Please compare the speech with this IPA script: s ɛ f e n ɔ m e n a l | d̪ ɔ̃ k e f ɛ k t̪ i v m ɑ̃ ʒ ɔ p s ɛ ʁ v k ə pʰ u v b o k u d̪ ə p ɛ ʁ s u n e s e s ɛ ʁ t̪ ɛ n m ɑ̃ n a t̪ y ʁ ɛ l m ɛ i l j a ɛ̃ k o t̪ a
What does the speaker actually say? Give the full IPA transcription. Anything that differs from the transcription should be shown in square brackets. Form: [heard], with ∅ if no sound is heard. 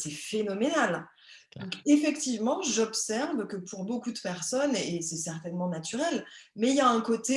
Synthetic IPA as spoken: s ɛ f e n ɔ m e n a l | d̪ ɔ̃ k e f ɛ k t̪ i v m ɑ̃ ʒ ɔ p s ɛ ʁ v k ə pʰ u [ʁ] b o k u d̪ ə p ɛ ʁ s [ɔ] n e s [ɛ] s ɛ ʁ t̪ ɛ n m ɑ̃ n a t̪ y ʁ ɛ l m ɛ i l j a ɛ̃ k o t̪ [e]

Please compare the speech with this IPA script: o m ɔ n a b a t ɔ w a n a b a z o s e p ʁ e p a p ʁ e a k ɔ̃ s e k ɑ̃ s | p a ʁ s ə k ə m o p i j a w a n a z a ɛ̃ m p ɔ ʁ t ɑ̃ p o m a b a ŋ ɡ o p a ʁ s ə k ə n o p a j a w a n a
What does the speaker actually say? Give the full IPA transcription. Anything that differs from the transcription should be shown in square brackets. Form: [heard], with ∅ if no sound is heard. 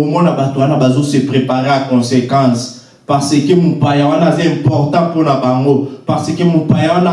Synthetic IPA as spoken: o m ɔ n a b a t [o] w a n a b a z o s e p ʁ e p a [∅] ʁ e a k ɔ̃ s e k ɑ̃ s | p a ʁ s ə k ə m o p [a] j a w a n a z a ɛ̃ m p ɔ ʁ t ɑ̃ p o [n] a b a ŋ ɡ o p a ʁ s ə k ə [m] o p a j a w a n a

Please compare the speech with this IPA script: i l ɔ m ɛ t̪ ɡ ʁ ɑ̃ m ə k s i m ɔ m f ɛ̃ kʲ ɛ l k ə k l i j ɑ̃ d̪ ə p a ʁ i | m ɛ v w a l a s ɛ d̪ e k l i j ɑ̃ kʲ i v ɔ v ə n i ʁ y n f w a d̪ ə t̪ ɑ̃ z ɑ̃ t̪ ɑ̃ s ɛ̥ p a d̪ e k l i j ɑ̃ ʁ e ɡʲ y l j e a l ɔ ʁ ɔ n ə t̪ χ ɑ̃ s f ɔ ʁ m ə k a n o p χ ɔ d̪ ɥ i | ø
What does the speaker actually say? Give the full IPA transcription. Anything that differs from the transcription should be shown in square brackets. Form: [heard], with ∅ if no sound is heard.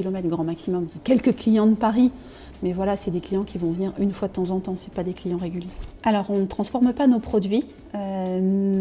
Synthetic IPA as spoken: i l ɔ m ɛ t̪ ɡ ʁ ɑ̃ m [a] k s i m ɔ m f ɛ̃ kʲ ɛ l k ə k l i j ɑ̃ d̪ ə p a ʁ i | m ɛ v w a l a s ɛ d̪ e k l i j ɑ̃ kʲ i v [ɔ̃] v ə n i ʁ y n f w a d̪ ə t̪ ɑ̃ z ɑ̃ t̪ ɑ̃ s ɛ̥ p a d̪ e k l i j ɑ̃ ʁ e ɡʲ y l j e a l ɔ ʁ [ɔ̃] n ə t̪ χ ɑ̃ s f ɔ ʁ m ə [p] a n o p χ ɔ d̪ ɥ i | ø

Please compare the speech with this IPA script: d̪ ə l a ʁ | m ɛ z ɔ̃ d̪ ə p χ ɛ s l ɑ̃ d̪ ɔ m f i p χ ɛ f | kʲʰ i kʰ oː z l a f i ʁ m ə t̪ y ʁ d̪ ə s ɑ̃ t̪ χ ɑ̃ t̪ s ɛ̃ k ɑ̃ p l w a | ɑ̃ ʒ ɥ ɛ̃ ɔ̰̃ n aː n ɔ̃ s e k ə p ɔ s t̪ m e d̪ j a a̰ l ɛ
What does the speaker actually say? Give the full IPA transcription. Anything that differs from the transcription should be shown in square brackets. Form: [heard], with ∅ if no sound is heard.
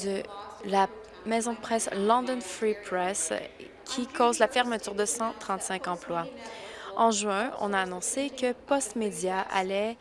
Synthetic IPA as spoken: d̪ ə l a [∅] | m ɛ z ɔ̃ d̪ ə p χ ɛ s l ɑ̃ d̪ ɔ [n] f i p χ ɛ [s] | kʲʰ i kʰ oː z l a f [ɛ] ʁ m ə t̪ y ʁ d̪ ə s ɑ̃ t̪ χ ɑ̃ t̪ s ɛ̃ k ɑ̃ p l w a | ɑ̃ ʒ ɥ ɛ̃ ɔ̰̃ n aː n ɔ̃ s e k ə p ɔ s t̪ m e d̪ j a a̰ l ɛ

